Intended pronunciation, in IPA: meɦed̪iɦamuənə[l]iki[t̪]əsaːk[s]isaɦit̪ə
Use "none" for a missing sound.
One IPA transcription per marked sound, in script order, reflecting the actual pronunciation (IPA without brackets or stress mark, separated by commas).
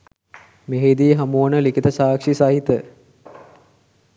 l, t̪, ʂ